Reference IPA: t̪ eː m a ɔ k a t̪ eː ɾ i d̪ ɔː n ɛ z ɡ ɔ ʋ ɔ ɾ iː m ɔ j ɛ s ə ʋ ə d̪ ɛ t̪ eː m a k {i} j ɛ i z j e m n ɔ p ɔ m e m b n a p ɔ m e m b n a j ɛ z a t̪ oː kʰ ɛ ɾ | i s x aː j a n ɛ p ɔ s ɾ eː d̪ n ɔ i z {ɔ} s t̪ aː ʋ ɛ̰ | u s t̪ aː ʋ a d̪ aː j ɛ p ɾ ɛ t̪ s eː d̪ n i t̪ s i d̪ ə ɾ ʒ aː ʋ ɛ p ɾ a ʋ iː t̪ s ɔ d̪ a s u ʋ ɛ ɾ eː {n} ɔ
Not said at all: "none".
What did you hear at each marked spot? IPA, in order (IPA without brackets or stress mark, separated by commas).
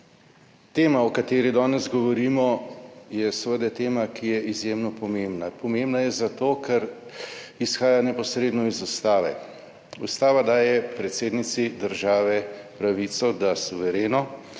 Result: i, u, n